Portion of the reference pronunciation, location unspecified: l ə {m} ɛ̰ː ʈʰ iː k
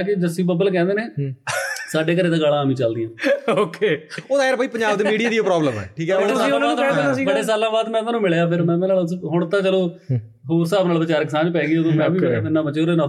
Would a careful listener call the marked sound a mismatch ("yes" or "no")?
no